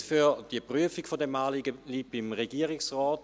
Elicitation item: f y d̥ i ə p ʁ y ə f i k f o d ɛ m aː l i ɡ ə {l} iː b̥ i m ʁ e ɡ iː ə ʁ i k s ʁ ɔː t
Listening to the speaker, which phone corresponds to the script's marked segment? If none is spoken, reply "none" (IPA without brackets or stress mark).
l